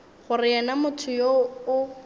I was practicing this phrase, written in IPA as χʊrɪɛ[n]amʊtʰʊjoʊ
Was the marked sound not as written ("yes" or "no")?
no